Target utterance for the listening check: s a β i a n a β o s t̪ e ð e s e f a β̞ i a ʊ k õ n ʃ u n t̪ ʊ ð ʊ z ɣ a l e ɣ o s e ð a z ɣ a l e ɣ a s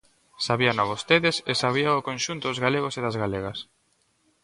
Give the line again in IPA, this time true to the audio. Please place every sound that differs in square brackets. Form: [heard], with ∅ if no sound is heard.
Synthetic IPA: s a β i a n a β o s t̪ e ð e s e [s] a β̞ i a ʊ k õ n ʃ u n t̪ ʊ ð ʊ z ɣ a l e ɣ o s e ð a z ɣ a l e ɣ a s